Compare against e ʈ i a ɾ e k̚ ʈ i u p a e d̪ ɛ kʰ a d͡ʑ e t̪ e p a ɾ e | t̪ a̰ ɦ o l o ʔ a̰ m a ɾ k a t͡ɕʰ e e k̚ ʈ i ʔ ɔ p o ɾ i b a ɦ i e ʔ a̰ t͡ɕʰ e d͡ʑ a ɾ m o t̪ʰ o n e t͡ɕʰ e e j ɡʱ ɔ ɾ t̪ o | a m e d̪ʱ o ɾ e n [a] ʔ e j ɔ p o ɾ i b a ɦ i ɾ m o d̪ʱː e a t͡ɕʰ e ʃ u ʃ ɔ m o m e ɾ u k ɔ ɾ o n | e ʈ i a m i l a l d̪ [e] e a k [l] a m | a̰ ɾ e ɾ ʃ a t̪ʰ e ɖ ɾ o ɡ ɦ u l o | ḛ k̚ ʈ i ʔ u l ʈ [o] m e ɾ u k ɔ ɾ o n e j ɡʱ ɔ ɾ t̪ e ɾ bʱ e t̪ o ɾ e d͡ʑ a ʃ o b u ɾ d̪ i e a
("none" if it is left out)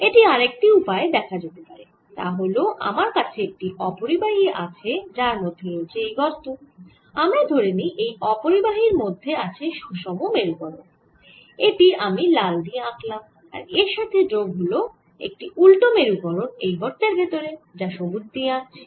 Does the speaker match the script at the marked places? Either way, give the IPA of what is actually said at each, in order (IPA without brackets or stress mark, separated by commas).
i, i, l, o